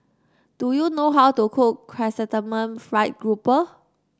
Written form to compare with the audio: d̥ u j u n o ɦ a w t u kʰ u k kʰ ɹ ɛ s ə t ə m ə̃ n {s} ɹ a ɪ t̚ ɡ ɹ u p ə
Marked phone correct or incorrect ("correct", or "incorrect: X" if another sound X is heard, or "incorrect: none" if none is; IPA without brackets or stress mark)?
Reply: incorrect: f